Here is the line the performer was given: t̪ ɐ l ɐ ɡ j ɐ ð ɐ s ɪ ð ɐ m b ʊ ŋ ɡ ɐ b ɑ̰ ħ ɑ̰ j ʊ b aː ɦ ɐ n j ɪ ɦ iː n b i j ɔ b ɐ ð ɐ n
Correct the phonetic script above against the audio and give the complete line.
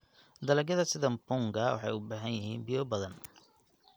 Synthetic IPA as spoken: d̪ ɐ l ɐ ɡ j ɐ ð ɐ s ɪ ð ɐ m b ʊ ŋ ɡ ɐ w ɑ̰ ħ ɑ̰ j ʊ b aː ɦ ɐ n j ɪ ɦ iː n b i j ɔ b ɐ ð ɐ n